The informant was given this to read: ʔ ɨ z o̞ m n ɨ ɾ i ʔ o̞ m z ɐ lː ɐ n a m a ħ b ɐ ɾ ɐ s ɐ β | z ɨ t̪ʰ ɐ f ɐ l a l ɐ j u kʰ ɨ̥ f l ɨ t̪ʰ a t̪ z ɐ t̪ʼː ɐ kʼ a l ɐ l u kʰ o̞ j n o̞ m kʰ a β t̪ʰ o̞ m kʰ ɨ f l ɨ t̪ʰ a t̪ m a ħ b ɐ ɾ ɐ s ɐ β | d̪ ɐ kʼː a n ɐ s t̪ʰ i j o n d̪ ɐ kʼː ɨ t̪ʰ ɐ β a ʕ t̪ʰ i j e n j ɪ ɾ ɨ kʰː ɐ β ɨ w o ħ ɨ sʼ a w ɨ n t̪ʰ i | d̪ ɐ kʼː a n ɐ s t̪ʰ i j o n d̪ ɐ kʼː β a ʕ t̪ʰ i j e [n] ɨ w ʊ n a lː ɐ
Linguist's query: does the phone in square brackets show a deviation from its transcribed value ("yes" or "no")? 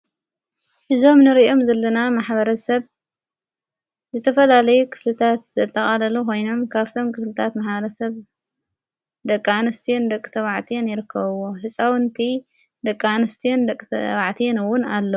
no